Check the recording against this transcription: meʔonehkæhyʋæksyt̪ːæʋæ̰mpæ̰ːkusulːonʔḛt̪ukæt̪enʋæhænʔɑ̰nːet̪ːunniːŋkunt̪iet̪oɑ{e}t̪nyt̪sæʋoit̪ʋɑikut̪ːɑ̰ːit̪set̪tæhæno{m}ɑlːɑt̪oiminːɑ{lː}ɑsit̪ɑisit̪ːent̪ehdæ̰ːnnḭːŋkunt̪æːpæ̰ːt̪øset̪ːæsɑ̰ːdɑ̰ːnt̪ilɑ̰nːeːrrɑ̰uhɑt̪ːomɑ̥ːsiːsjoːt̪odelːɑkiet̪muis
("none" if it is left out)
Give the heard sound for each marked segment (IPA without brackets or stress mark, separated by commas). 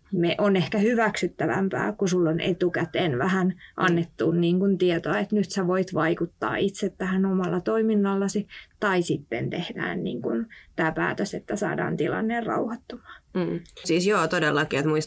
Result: e, m, lː